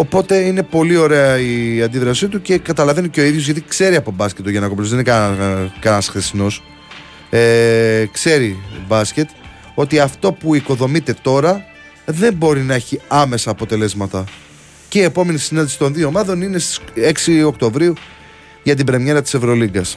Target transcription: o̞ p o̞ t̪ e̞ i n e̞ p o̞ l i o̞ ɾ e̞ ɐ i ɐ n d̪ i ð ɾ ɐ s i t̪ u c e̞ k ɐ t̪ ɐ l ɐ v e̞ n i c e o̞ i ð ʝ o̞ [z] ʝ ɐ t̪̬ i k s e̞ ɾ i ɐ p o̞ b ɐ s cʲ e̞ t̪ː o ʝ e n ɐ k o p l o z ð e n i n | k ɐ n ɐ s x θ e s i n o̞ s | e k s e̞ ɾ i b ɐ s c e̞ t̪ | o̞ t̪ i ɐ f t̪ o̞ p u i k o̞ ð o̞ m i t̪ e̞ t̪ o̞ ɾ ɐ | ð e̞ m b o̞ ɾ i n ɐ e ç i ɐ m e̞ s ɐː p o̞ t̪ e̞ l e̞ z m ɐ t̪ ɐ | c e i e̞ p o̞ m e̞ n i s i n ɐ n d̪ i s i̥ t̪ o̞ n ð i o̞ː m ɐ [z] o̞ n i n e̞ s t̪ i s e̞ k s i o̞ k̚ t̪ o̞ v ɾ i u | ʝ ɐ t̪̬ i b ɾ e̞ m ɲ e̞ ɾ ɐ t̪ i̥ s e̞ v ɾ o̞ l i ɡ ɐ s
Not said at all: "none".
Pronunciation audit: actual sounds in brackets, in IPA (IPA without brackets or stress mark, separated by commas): z, ð